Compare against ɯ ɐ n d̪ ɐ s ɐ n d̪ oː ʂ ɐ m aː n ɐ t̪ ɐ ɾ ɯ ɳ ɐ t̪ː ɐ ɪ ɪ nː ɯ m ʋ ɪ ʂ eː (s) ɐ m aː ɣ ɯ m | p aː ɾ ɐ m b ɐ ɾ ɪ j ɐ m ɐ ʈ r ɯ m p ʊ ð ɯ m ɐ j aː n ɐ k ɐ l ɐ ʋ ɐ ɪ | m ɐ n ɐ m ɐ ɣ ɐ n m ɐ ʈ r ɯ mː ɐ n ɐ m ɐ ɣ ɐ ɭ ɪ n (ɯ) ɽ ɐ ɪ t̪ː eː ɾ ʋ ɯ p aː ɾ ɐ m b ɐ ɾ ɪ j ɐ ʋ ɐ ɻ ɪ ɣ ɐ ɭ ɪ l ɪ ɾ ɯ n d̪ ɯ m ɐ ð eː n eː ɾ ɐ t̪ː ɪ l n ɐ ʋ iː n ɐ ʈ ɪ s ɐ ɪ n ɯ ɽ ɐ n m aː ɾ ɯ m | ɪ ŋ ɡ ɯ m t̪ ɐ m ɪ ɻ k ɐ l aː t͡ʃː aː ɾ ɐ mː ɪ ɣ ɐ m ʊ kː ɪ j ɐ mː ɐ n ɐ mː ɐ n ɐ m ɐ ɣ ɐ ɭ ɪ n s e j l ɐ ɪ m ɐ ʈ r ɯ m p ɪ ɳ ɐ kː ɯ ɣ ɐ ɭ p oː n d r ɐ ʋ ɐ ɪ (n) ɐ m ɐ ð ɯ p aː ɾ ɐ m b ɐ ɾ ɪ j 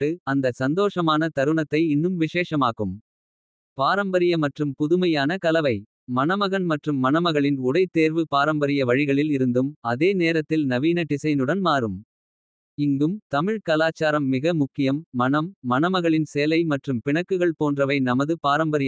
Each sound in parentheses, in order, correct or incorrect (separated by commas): incorrect, incorrect, correct